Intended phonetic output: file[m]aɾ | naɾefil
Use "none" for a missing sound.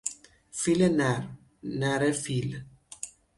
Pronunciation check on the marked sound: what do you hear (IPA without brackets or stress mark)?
n